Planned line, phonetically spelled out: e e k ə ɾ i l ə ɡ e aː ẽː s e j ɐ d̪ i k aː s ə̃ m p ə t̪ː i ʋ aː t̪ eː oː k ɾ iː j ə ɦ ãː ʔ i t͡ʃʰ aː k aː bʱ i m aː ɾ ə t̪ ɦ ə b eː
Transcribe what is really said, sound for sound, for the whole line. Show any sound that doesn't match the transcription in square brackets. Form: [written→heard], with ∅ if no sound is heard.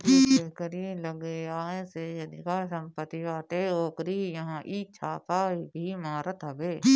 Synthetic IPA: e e k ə ɾ i l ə ɡ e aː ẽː s e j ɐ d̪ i k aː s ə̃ m p ə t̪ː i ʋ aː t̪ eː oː k ɾ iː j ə ɦ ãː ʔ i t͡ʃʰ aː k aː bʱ i m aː ɾ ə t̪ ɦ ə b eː

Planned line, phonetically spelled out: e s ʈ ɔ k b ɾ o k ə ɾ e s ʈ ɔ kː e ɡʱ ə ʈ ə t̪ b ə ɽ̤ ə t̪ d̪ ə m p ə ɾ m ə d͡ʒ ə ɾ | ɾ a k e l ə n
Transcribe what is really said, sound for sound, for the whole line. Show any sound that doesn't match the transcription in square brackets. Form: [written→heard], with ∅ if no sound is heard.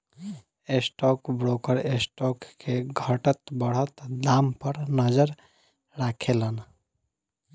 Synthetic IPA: e s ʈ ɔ k b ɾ o k ə ɾ e s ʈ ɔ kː e ɡʱ ə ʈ ə t̪ b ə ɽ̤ ə t̪ d̪ [ə→a] m p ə ɾ [m→n] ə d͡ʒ ə ɾ | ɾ a [k→kʰ] e l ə n

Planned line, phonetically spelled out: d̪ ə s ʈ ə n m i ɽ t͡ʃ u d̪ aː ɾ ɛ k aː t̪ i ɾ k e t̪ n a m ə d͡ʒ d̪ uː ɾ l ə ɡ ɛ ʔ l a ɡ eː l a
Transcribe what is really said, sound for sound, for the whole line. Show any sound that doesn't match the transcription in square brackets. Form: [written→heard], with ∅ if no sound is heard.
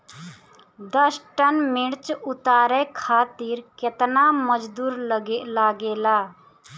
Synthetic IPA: d̪ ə s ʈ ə n m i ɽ t͡ʃ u [d̪→t̪] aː ɾ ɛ [k→kʰ] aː t̪ i ɾ k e t̪ n a m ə d͡ʒ d̪ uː ɾ l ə ɡ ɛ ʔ l a ɡ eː l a

